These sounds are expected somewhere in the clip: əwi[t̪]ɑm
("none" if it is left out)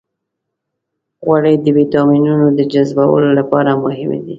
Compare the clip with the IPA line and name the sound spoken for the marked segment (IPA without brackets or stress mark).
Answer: t̪